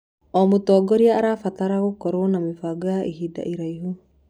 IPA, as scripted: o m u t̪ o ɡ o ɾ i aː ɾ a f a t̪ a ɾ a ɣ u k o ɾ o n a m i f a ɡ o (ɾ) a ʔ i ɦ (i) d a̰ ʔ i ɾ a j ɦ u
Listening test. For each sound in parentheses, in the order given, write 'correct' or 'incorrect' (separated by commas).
incorrect, correct